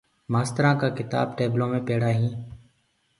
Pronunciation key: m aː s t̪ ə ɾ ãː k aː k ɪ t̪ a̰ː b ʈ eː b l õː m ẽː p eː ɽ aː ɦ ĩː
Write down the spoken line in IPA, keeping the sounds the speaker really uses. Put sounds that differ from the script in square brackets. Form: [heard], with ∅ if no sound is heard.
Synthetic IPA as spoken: m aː s t̪ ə ɾ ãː k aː k ɪ t̪ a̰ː b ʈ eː b l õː m ẽː p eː ɽ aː ɦ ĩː